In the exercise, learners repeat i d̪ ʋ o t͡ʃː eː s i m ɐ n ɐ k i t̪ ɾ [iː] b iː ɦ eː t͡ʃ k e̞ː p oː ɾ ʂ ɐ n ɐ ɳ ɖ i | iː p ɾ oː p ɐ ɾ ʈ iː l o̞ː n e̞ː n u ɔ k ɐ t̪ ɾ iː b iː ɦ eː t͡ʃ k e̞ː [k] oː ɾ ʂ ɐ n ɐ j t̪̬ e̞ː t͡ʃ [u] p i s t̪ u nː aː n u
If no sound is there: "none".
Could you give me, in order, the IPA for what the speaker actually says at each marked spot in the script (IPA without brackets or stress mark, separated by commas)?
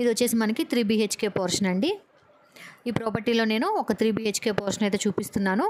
iː, p, uː